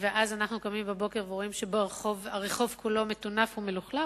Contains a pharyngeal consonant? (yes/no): no